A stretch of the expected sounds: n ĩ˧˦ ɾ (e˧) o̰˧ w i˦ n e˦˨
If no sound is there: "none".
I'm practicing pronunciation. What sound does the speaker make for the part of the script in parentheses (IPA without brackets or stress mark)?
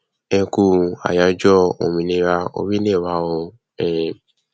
a˧